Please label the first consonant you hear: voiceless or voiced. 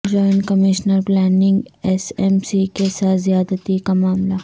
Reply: voiced